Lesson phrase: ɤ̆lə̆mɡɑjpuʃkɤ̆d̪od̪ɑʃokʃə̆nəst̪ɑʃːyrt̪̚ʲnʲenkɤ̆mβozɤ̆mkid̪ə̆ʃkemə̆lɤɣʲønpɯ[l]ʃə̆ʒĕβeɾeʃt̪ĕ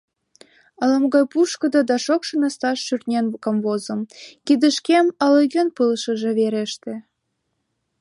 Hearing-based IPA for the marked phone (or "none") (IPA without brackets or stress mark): l